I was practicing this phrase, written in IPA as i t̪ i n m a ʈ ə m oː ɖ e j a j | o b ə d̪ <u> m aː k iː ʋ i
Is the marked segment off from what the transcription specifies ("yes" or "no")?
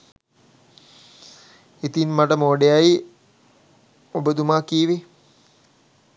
no